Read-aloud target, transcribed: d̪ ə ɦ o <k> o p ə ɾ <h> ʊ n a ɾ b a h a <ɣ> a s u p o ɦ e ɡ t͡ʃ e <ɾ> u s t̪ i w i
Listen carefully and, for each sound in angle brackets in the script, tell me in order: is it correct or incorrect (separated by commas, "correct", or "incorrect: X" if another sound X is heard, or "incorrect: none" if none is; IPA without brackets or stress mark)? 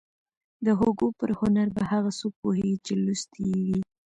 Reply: incorrect: ɡ, correct, correct, incorrect: l